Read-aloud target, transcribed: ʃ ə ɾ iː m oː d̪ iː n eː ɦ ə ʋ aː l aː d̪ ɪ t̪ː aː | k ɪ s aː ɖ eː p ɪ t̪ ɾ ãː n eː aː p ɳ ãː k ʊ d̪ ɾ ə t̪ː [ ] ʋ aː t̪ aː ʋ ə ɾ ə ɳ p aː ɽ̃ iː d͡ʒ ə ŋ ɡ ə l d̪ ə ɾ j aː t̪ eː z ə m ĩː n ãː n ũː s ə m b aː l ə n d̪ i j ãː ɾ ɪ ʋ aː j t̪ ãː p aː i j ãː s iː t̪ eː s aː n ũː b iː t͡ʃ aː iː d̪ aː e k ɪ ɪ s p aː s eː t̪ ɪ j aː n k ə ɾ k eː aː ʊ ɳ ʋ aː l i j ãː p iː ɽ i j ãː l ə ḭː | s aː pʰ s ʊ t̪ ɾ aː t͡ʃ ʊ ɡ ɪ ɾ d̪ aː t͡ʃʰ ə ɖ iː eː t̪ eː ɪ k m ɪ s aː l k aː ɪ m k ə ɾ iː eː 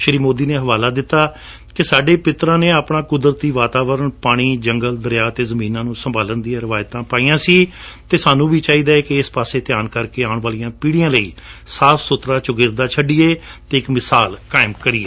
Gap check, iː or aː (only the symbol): iː